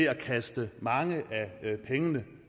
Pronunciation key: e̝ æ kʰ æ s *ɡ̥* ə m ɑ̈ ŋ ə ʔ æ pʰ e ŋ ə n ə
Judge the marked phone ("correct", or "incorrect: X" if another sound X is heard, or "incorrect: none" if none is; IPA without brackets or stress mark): incorrect: d̥